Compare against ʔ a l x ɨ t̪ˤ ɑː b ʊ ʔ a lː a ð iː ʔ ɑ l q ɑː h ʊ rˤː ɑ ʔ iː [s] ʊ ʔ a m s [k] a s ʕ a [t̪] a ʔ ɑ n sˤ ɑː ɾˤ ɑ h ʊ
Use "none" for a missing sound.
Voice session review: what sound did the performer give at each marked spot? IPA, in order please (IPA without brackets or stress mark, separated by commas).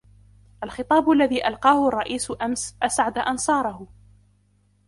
s, ʔ, d̪